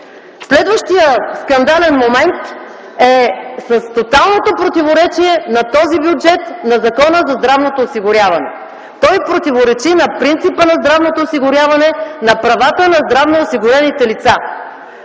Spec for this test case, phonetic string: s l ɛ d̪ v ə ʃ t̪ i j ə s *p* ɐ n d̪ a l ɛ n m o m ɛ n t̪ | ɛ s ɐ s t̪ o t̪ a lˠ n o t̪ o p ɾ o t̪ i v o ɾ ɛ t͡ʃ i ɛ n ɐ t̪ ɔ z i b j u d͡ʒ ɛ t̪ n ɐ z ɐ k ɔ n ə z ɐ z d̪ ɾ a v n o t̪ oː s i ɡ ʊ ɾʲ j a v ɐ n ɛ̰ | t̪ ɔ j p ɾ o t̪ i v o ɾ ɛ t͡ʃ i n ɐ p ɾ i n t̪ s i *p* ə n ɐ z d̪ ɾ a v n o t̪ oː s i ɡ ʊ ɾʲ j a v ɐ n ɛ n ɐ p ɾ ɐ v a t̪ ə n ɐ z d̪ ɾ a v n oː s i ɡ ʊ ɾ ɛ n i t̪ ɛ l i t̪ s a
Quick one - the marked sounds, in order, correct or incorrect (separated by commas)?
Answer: incorrect, correct